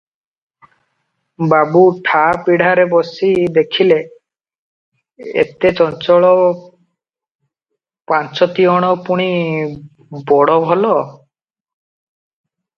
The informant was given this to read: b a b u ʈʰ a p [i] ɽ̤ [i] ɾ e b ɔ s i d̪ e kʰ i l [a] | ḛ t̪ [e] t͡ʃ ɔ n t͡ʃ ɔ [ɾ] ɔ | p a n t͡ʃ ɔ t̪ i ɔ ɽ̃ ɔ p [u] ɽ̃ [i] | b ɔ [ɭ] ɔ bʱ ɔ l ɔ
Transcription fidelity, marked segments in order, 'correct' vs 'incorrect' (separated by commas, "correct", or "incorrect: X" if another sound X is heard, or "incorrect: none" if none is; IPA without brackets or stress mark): correct, incorrect: a, incorrect: e, correct, incorrect: ɭ, correct, correct, incorrect: ɽ